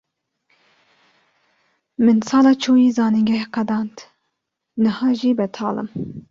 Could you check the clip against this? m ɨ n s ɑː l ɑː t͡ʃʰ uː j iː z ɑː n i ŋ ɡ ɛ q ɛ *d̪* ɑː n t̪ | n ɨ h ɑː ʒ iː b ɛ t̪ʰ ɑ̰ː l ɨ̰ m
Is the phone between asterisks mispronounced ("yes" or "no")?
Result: no